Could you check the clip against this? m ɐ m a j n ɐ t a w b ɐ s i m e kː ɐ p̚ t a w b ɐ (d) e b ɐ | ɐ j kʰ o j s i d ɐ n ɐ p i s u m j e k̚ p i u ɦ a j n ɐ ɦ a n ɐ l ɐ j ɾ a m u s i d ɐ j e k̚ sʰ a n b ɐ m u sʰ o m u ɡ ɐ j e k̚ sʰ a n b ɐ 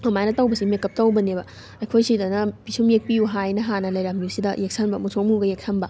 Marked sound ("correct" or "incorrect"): incorrect